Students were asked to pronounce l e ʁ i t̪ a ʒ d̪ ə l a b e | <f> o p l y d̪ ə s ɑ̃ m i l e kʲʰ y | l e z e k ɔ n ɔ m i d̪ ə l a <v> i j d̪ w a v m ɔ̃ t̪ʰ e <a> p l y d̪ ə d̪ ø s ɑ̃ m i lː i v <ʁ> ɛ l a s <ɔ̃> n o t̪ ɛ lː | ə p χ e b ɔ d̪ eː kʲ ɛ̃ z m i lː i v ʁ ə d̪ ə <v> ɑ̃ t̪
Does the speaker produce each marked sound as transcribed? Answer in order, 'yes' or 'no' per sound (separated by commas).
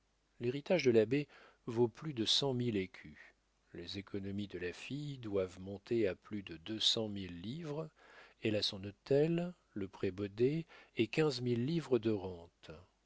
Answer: no, no, yes, yes, yes, no